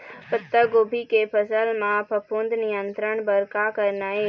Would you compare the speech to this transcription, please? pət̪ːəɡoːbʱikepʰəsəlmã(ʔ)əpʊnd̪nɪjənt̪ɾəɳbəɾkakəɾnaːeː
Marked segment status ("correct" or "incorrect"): incorrect